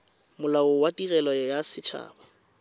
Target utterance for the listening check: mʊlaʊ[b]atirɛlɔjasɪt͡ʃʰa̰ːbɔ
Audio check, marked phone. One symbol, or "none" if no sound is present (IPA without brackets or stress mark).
w